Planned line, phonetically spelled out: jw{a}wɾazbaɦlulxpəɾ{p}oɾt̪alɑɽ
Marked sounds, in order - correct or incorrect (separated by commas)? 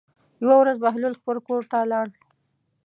correct, incorrect